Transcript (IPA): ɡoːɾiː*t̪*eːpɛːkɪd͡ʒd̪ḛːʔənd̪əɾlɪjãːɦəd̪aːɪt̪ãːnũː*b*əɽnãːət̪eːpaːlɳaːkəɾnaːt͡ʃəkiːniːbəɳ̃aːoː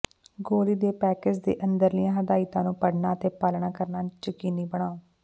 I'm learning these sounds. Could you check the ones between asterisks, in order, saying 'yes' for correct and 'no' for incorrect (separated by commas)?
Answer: no, no